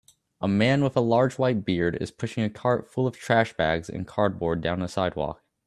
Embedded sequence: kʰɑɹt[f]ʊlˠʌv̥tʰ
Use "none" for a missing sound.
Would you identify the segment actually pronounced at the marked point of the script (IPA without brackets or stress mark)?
f